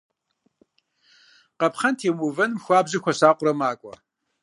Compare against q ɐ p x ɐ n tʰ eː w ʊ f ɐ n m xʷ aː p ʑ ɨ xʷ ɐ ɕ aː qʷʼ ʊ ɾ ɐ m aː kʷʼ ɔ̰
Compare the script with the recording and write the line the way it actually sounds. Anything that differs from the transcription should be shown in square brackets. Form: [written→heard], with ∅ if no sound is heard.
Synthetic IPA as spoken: q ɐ p [x→χ] ɐ n tʰ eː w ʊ [f→v] ɐ n m xʷ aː [p→b] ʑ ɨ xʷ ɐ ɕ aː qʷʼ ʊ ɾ ɐ m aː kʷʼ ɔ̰